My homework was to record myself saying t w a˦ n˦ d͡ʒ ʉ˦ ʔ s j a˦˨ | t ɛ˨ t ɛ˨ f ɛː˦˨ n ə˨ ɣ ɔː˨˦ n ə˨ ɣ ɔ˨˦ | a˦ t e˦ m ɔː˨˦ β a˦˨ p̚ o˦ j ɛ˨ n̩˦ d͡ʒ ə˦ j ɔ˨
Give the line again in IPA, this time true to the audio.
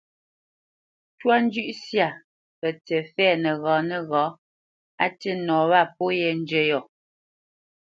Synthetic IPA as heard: t w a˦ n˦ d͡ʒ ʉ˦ ʔ s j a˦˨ | p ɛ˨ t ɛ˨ f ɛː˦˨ n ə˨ ɣ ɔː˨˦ n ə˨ ɣ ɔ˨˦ | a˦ t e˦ n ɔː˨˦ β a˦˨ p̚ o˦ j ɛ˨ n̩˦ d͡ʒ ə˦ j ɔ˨